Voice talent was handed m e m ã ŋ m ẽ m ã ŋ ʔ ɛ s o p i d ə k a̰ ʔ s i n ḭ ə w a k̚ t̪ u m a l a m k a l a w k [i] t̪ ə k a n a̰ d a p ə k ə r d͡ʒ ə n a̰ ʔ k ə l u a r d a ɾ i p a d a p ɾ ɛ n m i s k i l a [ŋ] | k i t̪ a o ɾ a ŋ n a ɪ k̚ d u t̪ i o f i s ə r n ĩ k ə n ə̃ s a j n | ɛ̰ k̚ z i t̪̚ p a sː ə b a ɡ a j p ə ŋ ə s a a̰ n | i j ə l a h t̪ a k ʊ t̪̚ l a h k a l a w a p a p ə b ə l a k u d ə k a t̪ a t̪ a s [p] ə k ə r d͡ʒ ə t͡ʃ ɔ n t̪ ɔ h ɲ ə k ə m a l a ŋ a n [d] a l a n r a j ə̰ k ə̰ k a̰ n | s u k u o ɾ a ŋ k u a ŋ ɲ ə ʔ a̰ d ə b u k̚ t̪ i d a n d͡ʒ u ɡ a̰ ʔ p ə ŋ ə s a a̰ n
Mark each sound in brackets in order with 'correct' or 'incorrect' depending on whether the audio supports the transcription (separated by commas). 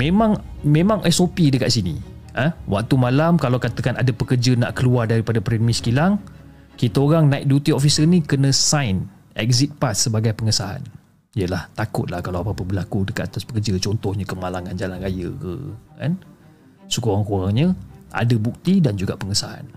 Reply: incorrect, correct, correct, incorrect